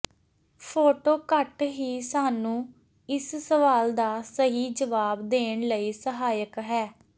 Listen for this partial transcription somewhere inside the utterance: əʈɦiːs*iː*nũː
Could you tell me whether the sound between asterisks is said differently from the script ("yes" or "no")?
yes